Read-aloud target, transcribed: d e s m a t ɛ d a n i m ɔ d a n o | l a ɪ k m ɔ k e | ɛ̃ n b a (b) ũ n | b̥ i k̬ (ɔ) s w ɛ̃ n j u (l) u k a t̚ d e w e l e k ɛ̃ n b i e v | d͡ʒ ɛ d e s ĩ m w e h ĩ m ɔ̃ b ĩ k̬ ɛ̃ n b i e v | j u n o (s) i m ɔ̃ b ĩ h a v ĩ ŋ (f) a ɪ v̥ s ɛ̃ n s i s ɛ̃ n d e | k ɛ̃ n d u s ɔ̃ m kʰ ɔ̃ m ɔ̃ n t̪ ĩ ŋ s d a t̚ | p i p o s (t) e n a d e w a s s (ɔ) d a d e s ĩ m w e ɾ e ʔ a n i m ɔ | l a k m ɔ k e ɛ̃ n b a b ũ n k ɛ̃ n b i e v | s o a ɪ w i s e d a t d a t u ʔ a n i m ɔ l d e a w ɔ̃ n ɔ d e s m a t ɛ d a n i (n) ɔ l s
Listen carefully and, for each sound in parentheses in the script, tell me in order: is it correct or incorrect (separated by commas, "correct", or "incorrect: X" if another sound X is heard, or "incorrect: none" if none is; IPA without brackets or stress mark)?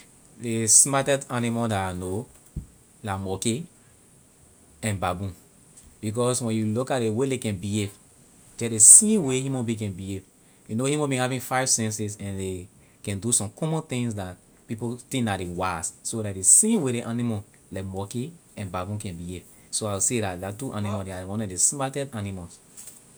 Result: correct, correct, correct, incorrect: h, correct, correct, incorrect: o, incorrect: m